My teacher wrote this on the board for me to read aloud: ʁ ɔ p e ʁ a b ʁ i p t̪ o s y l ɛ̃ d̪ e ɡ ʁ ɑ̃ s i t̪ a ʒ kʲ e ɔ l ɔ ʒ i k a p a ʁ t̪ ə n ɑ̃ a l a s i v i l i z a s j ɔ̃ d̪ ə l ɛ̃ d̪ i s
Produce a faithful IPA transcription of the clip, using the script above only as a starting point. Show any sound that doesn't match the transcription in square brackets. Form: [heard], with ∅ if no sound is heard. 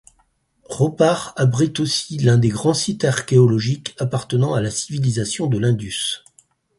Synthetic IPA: ʁ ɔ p [a] ʁ a b ʁ i [∅] t̪ o s [i] l ɛ̃ d̪ e ɡ ʁ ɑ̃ s i t̪ a [ʁ] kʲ e ɔ l ɔ ʒ i k a p a ʁ t̪ ə n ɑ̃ a l a s i v i l i z a s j ɔ̃ d̪ ə l ɛ̃ d̪ [y] s